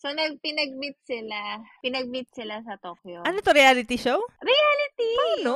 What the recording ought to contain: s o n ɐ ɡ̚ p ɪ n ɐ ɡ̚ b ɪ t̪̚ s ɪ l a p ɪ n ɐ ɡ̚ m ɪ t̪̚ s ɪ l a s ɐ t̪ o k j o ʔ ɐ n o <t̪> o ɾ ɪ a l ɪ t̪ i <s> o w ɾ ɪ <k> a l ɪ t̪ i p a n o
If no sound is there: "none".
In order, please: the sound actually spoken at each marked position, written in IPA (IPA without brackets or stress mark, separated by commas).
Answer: t̪, ʃ, none